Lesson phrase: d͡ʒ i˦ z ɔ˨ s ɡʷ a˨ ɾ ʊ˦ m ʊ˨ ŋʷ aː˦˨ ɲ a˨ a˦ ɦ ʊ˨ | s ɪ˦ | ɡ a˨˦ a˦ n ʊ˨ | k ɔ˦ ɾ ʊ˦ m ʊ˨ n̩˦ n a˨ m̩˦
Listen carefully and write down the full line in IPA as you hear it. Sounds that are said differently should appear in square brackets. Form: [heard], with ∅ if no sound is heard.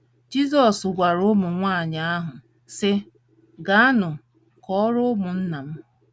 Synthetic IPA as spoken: d͡ʒ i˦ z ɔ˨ s ɡʷ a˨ ɾ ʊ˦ m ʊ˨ ŋʷ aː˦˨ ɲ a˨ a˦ ɦ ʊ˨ | s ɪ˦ | ɡ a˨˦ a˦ n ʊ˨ | k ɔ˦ ɾ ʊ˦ m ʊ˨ n̩˦ n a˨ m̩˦